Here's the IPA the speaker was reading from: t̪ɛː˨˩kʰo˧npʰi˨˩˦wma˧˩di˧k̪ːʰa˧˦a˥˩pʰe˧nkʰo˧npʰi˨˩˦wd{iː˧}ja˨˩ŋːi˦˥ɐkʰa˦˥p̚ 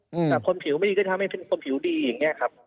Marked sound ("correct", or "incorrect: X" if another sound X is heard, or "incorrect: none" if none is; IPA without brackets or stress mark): correct